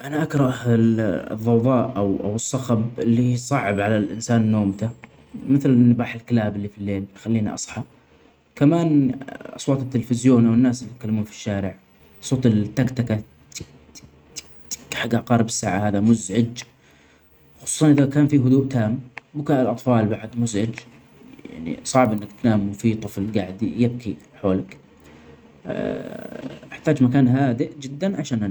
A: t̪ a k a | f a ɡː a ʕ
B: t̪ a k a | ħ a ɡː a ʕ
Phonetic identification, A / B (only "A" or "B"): B